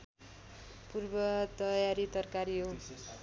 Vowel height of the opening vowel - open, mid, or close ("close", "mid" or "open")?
close